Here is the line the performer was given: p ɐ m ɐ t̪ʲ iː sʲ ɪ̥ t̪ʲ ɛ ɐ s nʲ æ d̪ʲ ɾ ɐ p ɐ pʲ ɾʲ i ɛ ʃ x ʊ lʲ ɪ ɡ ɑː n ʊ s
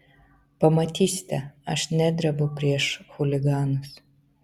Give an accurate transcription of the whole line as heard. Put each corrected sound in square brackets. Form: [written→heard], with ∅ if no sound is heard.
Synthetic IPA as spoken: p ɐ m ɐ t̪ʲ iː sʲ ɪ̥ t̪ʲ ɛ ɐ [s→ʃ] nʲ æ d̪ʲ ɾ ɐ [p→b] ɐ pʲ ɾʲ i ɛ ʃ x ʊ lʲ ɪ ɡ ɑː n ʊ s